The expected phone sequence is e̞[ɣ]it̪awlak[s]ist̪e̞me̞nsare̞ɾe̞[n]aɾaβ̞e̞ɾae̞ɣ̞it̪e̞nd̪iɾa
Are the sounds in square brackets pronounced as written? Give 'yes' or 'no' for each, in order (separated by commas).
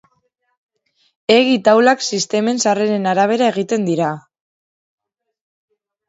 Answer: yes, yes, yes